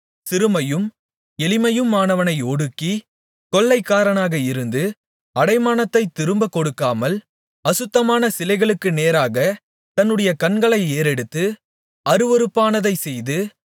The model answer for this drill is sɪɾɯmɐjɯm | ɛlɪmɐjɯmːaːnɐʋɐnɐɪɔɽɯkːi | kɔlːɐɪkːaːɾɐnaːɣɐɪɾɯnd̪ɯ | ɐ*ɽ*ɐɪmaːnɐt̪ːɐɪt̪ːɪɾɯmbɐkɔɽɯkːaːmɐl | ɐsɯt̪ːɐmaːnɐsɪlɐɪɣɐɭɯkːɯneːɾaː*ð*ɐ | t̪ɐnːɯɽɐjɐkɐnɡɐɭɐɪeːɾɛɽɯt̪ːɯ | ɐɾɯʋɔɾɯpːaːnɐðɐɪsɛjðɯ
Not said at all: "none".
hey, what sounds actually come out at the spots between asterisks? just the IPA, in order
ɽ, ɣ

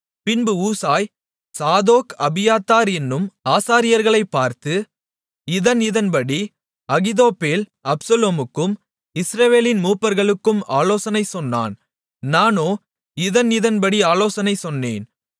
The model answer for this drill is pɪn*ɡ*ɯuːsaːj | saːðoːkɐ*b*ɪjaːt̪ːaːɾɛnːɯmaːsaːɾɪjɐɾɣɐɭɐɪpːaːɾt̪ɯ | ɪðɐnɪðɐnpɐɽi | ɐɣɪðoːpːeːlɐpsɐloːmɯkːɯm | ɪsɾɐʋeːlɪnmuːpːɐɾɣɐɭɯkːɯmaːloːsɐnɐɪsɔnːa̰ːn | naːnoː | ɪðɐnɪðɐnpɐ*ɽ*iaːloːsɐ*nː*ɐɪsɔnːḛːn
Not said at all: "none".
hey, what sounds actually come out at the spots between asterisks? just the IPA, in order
b, b, ɽ, n

